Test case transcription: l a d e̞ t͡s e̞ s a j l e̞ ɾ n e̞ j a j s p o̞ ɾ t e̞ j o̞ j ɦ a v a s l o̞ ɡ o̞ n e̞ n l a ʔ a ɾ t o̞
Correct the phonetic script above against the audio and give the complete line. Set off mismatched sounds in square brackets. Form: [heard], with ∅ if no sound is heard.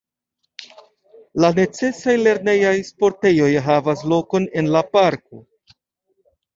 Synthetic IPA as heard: l a [n] e̞ t͡s e̞ s a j l e̞ ɾ n e̞ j a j s p o̞ ɾ t e̞ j o̞ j ɦ a v a s l o̞ [k] o̞ n e̞ n l a [p] a ɾ [k] o̞